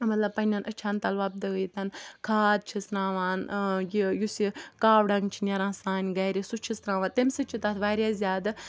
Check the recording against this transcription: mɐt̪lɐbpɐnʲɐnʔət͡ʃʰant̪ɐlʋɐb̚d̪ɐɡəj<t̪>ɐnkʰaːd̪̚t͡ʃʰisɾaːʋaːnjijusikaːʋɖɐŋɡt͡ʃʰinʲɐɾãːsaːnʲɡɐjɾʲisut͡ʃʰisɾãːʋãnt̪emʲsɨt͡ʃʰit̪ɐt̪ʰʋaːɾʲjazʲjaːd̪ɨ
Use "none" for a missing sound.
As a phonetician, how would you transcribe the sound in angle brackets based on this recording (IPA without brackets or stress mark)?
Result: t̪